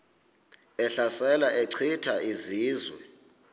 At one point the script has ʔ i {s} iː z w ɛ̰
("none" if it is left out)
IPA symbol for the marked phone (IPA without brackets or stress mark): z